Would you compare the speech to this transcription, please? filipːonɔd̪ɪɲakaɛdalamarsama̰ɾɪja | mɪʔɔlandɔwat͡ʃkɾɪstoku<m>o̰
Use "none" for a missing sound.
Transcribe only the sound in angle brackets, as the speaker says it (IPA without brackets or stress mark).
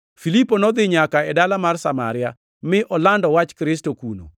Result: n